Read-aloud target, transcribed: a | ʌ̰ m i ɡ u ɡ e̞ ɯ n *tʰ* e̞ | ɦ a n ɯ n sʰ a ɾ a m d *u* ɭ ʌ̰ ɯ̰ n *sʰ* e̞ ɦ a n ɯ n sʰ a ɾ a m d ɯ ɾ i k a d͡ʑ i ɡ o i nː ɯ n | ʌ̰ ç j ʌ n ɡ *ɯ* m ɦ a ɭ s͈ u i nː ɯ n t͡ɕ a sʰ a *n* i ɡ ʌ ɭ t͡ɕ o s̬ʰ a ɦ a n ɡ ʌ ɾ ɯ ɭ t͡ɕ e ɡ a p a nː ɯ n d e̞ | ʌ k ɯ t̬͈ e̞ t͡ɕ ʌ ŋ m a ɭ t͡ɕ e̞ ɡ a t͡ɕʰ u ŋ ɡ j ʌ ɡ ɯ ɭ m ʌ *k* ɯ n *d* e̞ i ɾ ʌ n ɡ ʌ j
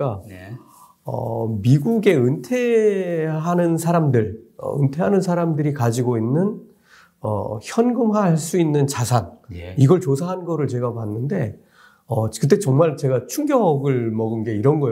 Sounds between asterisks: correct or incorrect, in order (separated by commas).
correct, incorrect, incorrect, correct, correct, incorrect, incorrect